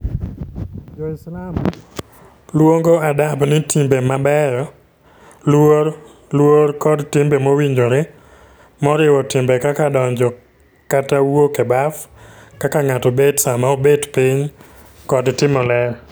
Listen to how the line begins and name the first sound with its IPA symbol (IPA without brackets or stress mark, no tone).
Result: d͡ʒ